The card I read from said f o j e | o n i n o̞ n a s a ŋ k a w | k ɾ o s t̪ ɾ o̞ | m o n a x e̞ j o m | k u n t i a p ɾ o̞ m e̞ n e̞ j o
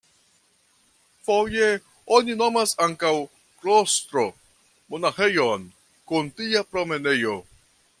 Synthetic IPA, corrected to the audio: f o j e | o n i n o̞ m a s a ŋ k a w | k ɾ o s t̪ ɾ o̞ | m o n a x e̞ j o n | k u n t i a p ɾ o̞ m e̞ n e̞ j o